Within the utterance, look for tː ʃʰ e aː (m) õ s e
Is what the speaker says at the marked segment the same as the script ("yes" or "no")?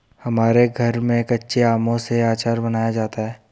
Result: yes